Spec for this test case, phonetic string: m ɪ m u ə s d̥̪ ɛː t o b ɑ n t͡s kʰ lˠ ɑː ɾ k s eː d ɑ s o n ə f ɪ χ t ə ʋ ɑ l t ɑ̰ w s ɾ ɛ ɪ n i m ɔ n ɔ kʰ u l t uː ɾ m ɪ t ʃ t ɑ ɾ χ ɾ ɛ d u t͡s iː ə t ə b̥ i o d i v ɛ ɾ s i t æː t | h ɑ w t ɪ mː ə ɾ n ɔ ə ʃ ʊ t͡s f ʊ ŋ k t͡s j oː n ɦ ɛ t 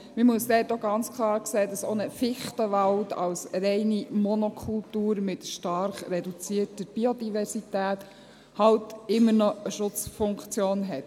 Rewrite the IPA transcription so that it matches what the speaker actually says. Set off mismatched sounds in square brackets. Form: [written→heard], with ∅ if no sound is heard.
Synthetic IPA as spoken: m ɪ m u ə s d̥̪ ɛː t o [b→ɡ] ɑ n t͡s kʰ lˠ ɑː ɾ k s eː d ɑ s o n ə f ɪ χ t ə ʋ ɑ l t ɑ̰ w s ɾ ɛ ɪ n i m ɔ n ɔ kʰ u l t uː ɾ m ɪ t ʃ t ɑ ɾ χ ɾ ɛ d u t͡s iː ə t ə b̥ i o d i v ɛ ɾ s i t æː t | h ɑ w t ɪ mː ə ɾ n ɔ ə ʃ ʊ t͡s f ʊ ŋ k t͡s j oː n ɦ ɛ t